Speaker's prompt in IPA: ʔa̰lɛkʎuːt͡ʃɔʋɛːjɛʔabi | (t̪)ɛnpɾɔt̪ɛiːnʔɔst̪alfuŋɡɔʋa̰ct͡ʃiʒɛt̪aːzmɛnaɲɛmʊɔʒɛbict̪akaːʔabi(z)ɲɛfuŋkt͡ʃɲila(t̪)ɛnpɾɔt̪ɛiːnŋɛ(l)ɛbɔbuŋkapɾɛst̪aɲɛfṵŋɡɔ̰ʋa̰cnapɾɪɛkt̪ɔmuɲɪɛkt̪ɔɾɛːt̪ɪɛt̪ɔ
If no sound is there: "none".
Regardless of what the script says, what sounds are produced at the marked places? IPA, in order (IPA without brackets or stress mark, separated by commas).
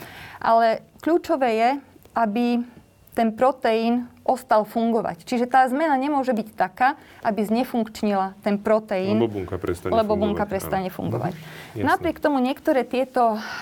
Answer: t̪, z, t̪, l